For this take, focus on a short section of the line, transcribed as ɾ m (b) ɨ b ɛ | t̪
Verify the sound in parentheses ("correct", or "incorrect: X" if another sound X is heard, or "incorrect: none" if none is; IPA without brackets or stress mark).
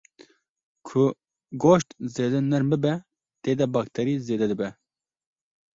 correct